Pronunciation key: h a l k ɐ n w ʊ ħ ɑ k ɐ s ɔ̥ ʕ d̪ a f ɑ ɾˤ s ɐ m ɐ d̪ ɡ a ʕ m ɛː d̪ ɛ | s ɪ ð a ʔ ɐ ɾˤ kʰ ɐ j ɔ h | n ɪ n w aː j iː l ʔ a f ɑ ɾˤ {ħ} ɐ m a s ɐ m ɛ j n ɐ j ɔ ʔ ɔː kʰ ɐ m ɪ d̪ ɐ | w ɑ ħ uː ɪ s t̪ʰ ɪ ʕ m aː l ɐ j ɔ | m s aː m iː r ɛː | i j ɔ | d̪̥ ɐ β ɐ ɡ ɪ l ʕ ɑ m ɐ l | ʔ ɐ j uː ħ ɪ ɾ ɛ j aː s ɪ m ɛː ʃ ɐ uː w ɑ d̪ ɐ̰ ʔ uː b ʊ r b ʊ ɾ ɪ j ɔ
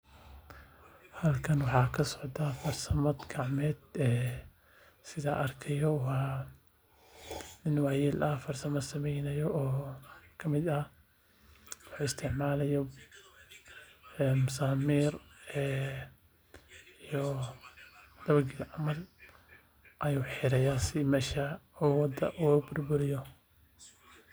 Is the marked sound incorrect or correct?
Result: incorrect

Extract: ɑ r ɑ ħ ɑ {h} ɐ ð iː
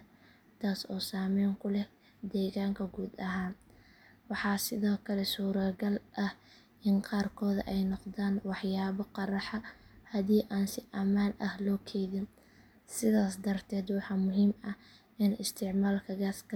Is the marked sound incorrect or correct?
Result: correct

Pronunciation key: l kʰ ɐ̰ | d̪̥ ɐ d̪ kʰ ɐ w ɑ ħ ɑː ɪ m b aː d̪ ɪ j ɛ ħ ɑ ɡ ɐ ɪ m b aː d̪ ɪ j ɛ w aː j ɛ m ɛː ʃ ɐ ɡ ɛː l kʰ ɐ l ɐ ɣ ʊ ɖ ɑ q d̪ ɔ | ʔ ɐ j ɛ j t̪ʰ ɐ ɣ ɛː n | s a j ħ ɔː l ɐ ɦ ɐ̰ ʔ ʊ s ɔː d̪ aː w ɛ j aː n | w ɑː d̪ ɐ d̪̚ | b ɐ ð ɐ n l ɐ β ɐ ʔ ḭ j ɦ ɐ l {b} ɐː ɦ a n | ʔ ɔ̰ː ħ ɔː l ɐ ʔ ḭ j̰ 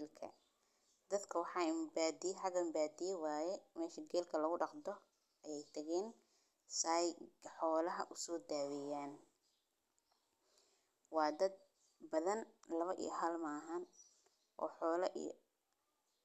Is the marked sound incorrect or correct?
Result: incorrect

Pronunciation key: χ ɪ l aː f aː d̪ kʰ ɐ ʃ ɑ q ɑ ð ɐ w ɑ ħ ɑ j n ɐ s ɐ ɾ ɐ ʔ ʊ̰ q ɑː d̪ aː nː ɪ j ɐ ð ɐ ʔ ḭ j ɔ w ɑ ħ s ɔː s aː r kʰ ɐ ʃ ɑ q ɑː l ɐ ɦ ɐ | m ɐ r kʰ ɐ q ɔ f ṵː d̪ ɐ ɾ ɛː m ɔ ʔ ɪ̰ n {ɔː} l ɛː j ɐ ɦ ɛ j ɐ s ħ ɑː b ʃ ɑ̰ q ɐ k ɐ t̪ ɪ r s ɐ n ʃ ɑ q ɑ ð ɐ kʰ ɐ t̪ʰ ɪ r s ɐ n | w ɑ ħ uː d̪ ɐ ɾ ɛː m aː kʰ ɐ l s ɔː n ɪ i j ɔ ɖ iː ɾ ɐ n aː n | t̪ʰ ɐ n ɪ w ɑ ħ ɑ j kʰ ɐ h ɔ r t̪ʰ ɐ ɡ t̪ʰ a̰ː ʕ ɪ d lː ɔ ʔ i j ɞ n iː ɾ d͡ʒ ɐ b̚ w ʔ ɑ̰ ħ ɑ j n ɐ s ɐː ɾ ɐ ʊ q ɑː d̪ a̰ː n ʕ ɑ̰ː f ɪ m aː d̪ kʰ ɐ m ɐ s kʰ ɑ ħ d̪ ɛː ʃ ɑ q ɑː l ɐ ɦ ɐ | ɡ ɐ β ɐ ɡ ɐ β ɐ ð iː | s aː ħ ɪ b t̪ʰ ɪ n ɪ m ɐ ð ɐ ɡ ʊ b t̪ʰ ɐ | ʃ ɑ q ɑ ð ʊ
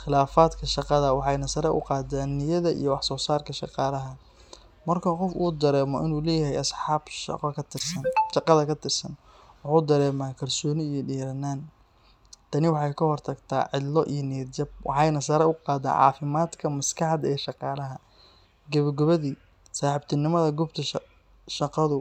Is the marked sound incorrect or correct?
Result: incorrect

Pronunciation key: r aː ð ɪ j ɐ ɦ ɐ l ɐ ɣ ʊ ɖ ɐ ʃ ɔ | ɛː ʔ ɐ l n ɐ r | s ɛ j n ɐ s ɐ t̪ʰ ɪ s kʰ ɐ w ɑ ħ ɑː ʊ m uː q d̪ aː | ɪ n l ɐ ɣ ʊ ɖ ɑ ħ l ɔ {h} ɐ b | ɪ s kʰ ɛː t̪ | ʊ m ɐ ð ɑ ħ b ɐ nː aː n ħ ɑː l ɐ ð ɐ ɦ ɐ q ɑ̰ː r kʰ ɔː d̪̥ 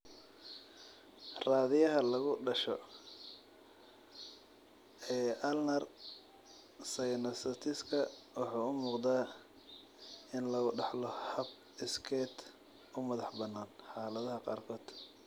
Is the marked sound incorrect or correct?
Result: correct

